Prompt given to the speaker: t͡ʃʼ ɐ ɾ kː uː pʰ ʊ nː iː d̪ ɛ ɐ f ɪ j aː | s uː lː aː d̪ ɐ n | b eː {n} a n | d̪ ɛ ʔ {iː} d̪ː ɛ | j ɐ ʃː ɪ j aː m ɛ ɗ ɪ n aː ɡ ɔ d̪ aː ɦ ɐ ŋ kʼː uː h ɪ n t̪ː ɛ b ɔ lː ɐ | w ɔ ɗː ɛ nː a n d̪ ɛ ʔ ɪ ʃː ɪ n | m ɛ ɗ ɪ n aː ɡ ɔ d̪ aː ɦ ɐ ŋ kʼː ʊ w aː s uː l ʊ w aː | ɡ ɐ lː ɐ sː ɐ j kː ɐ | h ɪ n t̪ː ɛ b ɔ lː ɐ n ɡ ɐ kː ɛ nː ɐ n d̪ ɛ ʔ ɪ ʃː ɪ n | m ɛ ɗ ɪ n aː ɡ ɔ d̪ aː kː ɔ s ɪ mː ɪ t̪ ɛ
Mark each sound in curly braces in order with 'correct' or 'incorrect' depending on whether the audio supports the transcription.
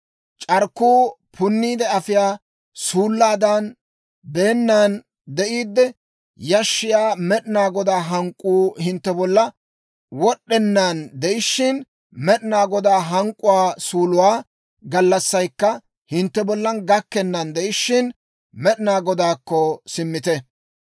incorrect: nː, correct

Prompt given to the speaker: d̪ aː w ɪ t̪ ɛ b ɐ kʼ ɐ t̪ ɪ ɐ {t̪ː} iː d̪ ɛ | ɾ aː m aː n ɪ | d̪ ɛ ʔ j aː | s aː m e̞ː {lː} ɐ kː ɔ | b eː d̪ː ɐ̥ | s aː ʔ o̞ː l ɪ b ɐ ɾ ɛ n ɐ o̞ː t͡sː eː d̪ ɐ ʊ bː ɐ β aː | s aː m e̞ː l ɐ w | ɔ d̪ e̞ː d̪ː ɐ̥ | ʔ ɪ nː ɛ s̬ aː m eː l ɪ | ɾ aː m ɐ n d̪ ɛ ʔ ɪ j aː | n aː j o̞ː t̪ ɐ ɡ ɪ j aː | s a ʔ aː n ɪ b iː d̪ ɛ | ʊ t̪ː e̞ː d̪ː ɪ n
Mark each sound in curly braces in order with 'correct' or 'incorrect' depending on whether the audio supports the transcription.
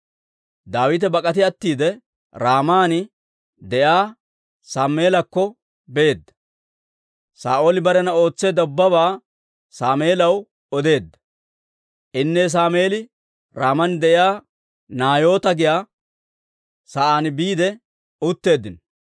correct, incorrect: l

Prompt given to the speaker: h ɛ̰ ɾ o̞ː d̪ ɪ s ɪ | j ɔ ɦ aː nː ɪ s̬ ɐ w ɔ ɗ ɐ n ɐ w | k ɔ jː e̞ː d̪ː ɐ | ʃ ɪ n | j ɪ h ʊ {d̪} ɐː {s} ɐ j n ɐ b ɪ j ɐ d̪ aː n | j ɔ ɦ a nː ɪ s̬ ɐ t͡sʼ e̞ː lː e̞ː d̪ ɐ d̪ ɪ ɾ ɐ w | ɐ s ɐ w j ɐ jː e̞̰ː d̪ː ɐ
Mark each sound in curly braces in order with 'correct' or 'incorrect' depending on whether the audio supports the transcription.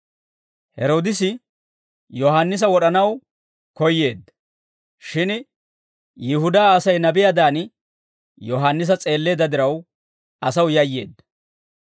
correct, correct

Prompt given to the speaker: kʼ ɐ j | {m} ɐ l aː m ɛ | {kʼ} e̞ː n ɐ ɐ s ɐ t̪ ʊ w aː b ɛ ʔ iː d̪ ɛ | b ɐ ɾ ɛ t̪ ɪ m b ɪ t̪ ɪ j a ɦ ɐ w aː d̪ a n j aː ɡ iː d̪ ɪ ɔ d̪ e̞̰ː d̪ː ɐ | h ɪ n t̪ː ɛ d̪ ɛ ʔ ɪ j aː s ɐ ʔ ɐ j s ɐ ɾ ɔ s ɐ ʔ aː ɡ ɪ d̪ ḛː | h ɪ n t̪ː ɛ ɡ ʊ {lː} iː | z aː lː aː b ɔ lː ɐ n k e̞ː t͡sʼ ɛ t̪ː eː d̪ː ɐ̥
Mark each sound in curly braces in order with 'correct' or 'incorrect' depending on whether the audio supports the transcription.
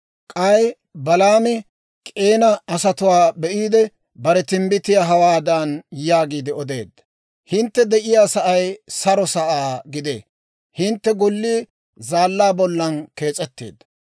incorrect: b, correct, correct

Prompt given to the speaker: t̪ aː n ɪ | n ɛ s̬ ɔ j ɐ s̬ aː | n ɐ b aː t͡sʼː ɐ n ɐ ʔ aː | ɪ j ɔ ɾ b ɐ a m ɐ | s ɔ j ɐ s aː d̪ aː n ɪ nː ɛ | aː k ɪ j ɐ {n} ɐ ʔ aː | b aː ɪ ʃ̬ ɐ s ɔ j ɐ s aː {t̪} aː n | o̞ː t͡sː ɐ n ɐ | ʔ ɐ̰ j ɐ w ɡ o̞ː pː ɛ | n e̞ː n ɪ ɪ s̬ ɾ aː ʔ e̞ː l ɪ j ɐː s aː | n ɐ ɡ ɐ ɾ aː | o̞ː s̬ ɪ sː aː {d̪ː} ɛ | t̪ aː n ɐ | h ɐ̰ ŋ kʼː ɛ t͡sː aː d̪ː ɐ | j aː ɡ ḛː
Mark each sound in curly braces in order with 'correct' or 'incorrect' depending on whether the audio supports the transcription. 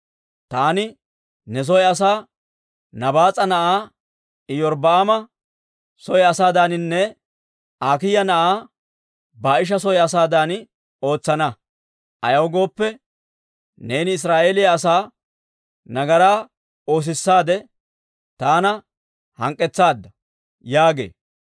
correct, incorrect: d̪, incorrect: d̪

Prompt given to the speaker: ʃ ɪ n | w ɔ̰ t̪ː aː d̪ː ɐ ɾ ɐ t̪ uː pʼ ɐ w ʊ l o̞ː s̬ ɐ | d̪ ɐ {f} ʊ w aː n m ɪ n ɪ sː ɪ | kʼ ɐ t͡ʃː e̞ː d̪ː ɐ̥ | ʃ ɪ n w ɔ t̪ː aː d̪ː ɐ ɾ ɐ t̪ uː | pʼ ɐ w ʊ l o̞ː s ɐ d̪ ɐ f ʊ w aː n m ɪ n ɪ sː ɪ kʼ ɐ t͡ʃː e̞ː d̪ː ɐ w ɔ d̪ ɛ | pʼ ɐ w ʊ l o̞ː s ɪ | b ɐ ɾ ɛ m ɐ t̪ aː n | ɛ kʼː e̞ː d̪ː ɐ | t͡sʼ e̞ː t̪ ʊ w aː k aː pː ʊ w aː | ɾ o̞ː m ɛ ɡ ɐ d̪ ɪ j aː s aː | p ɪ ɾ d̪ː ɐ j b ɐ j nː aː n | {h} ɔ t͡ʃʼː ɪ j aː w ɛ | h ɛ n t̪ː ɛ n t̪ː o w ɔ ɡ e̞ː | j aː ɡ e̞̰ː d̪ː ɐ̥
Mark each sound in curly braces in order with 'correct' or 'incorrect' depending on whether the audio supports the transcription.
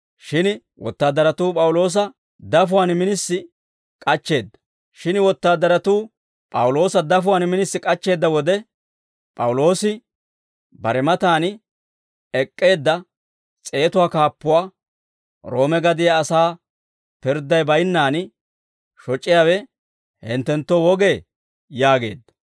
correct, incorrect: ʃ

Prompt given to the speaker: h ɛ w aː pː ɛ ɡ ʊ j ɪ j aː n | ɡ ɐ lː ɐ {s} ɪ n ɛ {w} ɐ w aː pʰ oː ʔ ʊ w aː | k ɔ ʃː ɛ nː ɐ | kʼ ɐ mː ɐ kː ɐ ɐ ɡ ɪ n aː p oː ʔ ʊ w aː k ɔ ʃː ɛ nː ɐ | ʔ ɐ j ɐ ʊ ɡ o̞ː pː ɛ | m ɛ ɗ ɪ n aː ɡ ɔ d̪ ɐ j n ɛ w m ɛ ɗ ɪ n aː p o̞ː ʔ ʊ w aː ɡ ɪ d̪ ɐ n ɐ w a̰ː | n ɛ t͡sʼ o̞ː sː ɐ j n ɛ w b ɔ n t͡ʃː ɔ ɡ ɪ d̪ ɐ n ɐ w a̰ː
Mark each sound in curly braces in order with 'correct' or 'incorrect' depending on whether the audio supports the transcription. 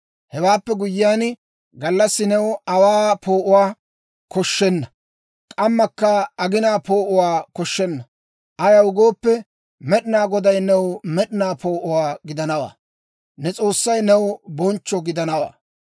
incorrect: sː, correct

